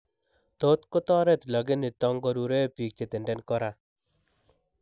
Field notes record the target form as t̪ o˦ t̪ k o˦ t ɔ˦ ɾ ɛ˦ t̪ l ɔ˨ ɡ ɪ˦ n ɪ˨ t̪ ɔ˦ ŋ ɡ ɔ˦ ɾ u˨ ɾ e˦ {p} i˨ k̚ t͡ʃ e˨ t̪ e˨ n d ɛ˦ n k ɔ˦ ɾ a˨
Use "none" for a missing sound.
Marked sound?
p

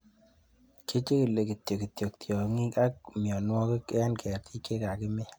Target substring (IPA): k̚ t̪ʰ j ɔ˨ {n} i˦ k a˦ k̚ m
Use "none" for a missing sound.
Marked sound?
ŋ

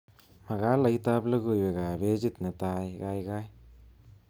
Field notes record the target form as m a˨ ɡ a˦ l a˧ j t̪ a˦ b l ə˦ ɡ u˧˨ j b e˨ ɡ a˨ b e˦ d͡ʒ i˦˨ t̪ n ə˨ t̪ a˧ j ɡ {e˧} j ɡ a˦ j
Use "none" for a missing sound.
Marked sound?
a˧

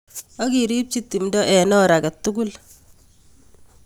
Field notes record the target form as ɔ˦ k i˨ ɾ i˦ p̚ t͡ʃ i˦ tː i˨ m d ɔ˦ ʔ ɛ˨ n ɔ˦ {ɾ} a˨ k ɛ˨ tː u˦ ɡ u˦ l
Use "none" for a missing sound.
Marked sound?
ɾ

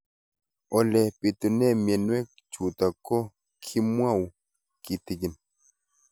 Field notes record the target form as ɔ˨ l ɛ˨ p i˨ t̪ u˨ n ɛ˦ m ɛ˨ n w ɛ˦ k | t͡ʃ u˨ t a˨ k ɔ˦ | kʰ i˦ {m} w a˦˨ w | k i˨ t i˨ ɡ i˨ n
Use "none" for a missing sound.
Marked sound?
m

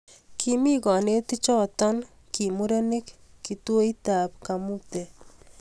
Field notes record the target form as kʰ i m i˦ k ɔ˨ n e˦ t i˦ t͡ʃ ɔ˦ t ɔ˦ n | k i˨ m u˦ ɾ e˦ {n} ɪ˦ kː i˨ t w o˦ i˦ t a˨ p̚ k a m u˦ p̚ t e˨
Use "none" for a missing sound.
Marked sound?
n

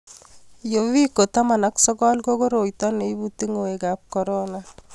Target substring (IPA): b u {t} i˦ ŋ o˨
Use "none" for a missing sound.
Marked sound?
t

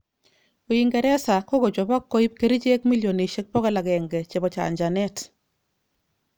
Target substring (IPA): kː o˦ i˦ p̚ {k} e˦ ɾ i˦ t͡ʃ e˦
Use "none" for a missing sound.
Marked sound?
k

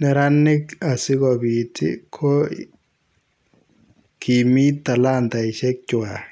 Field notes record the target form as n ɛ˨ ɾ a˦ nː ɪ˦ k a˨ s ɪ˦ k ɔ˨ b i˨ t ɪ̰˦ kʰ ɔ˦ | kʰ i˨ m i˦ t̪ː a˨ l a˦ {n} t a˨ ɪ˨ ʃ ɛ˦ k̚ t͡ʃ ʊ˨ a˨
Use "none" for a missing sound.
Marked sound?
n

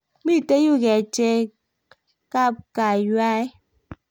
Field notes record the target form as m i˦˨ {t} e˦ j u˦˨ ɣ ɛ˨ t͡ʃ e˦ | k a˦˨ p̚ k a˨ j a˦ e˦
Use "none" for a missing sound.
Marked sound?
t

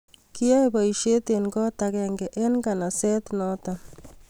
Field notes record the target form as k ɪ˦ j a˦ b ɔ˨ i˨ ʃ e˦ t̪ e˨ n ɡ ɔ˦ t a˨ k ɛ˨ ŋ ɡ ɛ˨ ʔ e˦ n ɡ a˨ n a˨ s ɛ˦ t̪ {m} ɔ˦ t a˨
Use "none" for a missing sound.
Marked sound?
n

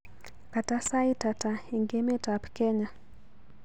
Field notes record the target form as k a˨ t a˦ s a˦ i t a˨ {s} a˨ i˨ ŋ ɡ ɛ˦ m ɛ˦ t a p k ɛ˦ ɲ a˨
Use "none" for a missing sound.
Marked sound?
t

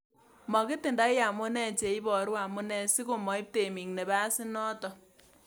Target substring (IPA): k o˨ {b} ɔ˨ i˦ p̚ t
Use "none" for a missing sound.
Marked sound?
m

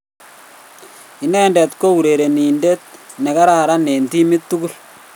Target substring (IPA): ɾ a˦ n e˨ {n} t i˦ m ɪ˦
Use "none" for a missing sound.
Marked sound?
n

